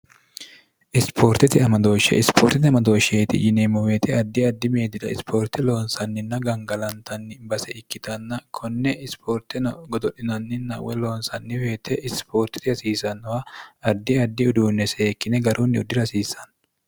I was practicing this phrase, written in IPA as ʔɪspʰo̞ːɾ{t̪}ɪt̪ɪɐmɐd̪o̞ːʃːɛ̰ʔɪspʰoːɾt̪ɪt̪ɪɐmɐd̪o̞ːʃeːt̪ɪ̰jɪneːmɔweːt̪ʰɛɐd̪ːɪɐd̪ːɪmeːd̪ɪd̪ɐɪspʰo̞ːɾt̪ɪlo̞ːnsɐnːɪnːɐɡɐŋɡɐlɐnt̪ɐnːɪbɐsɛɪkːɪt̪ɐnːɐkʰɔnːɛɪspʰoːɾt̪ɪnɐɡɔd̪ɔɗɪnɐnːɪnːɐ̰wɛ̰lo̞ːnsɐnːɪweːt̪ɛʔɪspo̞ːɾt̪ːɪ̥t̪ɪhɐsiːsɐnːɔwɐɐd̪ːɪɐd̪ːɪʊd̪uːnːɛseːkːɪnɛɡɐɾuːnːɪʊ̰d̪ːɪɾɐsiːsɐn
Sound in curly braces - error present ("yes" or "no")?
no